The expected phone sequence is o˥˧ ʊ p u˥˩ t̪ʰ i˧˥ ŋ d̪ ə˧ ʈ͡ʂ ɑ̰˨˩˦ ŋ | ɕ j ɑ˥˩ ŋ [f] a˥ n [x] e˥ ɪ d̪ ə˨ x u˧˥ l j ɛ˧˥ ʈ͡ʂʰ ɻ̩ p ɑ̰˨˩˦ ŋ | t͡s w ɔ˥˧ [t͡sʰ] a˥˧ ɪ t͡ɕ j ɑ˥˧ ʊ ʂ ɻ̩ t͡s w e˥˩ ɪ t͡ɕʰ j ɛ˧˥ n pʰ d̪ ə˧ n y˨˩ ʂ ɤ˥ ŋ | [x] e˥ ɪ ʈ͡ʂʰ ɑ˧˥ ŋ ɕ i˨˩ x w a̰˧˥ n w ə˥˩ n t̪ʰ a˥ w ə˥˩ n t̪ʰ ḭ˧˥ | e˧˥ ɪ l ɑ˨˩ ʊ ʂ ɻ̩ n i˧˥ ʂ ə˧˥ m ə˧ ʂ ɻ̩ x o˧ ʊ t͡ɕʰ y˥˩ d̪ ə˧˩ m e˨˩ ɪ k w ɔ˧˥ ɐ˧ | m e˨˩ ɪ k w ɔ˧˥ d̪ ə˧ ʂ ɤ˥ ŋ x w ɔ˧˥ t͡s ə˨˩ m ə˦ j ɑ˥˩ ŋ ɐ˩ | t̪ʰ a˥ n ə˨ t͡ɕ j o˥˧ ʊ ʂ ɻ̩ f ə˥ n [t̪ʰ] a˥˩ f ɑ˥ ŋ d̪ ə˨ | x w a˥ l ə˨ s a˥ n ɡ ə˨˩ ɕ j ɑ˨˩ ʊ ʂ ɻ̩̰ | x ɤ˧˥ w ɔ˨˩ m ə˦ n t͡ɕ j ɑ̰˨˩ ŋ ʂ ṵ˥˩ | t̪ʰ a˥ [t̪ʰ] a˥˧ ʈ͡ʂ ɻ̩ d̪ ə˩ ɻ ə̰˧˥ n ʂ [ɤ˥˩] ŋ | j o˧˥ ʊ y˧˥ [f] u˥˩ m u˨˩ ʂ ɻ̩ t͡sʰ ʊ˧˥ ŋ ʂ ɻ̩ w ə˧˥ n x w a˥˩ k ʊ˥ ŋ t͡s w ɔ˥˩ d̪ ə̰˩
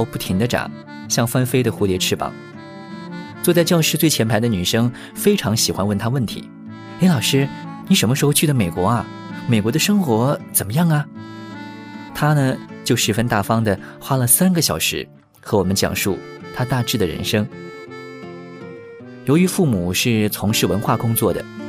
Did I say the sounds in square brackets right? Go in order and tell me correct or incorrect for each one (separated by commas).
correct, incorrect, incorrect, incorrect, incorrect, incorrect, incorrect, correct